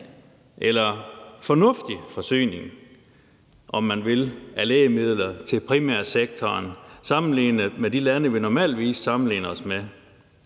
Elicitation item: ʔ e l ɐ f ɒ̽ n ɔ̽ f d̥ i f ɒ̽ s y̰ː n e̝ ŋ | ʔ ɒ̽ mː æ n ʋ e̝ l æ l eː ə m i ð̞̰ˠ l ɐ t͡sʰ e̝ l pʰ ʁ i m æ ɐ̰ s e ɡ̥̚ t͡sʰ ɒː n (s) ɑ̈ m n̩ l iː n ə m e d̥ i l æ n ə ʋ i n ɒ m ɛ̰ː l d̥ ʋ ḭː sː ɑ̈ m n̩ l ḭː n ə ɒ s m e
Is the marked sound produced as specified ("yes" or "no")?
yes